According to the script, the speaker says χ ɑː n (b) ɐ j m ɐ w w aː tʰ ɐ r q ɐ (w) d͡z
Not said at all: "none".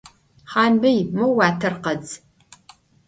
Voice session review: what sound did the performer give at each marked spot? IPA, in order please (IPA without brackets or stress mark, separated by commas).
b, none